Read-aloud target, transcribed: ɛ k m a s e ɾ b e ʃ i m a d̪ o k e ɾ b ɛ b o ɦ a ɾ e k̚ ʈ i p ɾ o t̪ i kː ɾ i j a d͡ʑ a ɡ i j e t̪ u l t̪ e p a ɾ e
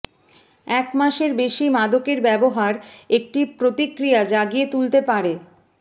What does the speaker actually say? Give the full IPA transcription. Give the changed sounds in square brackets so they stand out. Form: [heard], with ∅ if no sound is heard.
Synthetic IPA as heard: ɛ k m a [ʃ] e ɾ b e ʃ i m a d̪ o k e ɾ b ɛ b o ɦ a ɾ e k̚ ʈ i p ɾ o t̪ i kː ɾ i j a d͡ʑ a ɡ i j e t̪ u l t̪ e p a ɾ e